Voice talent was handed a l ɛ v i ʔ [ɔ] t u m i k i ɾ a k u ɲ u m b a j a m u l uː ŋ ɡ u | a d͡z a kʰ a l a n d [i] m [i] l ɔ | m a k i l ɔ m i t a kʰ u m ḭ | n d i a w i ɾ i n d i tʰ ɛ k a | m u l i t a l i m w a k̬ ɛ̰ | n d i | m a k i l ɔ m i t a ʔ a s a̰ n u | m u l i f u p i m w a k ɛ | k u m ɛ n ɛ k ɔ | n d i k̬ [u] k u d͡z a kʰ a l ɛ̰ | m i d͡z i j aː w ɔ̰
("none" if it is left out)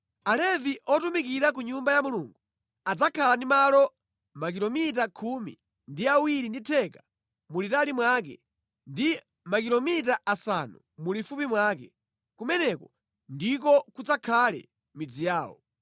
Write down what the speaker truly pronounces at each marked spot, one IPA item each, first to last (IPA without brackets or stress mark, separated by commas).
ɔ, i, a, ɔ